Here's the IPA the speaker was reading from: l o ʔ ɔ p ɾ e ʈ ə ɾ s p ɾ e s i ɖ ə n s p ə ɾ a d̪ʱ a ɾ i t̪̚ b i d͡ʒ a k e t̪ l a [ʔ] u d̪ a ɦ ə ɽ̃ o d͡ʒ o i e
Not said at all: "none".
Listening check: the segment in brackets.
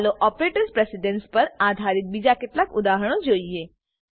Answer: k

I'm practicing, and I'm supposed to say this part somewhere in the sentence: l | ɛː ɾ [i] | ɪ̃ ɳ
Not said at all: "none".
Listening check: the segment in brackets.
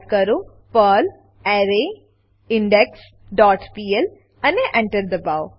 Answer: e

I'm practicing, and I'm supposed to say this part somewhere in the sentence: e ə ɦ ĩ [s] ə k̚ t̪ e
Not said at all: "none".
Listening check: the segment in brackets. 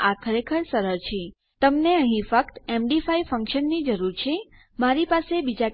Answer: f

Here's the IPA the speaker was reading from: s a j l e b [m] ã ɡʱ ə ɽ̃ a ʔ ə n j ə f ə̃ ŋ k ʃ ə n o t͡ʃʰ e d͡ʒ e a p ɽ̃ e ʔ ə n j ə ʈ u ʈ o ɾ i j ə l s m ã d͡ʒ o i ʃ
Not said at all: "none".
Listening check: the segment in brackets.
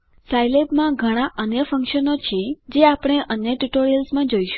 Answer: m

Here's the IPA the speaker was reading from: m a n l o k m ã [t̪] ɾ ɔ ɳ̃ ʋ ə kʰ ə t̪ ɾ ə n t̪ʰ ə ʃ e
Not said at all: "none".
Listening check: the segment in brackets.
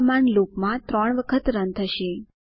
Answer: t̪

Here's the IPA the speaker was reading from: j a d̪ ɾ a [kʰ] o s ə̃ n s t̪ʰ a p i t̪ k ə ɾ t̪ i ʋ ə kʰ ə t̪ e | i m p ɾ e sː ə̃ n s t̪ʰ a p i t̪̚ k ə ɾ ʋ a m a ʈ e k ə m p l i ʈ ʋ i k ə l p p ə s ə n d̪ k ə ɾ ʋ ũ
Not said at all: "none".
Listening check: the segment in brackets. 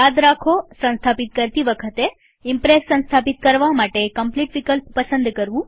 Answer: kʰ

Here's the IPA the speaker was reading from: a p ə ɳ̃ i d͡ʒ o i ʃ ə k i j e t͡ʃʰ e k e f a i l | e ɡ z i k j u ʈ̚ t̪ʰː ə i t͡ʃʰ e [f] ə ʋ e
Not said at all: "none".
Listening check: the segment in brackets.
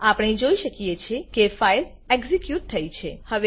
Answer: h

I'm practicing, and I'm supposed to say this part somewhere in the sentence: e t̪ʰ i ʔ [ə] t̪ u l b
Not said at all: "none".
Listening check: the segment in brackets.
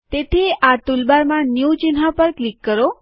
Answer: a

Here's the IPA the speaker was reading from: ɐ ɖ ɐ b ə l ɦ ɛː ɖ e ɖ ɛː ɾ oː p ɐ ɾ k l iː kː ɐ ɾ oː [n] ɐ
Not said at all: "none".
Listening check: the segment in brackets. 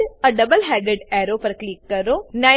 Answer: n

